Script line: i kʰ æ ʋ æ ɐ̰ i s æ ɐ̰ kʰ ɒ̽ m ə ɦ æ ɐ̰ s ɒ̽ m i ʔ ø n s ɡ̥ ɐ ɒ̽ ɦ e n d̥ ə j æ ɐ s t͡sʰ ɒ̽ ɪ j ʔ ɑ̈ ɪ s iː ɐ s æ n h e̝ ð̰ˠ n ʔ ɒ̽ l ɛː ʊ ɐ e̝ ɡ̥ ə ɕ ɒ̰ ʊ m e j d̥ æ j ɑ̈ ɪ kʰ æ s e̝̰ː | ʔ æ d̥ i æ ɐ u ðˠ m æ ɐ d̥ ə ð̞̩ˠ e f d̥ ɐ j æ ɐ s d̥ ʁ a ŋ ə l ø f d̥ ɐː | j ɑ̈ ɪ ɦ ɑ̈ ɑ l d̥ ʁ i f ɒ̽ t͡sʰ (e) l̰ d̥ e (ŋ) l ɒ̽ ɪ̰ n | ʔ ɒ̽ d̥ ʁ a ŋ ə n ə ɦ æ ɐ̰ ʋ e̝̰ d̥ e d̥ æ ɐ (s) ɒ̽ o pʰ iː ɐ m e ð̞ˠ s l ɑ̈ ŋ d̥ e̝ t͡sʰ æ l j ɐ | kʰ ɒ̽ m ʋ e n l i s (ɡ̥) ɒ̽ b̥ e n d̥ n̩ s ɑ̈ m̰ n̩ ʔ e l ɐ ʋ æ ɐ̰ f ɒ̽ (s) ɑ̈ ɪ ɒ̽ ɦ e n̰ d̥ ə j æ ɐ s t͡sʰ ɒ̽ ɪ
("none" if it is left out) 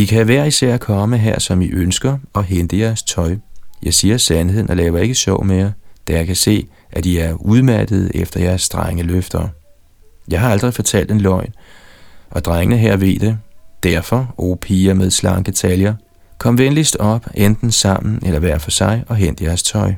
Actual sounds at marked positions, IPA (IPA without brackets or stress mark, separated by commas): æ, n, f, d̥, s